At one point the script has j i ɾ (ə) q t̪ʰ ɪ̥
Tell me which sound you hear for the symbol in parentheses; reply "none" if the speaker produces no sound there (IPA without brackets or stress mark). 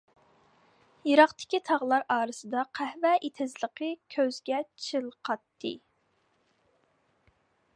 ɑ